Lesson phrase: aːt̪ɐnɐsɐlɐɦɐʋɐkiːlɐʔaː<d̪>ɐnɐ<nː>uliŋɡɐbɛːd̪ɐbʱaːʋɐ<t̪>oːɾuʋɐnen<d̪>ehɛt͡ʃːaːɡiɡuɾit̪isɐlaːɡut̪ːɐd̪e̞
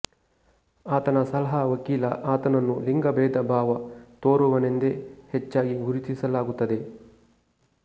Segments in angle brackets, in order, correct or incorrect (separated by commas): incorrect, correct, correct, correct